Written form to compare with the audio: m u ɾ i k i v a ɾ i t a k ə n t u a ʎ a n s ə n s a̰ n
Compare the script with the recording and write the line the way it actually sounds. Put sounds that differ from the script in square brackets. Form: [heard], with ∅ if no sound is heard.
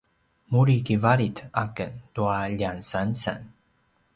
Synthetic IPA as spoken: m u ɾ i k i v a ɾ i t a k ə n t u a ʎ a n s [a] n s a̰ n